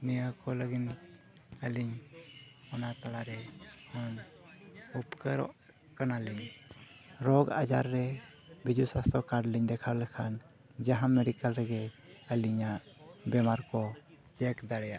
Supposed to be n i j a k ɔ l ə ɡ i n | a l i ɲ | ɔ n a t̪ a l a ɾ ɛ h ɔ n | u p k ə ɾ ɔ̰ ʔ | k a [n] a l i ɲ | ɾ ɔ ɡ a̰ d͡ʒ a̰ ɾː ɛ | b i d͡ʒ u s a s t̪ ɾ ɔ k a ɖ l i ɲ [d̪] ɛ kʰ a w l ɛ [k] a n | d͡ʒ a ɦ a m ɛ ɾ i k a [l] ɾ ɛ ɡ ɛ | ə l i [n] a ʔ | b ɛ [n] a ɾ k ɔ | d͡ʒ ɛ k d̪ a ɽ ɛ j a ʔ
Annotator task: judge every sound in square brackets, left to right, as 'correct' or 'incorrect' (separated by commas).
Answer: correct, correct, incorrect, correct, incorrect, incorrect